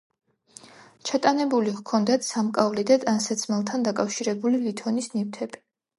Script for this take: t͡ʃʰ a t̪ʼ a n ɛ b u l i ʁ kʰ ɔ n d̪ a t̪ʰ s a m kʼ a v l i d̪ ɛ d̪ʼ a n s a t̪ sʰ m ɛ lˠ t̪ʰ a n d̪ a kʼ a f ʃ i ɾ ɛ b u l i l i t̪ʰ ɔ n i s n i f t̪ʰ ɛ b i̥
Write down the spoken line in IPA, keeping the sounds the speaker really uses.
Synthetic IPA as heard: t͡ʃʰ a t̪ʼ a n ɛ b u l i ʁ kʰ ɔ n d̪ a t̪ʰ s a m kʼ a v l i d̪ a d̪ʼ a n s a t̪ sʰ m ɛ lˠ t̪ʰ a n d̪ a kʼ a f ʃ i ɾ ɛ b u l i l i t̪ʰ ɔ n i s n i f t̪ʰ ɛ b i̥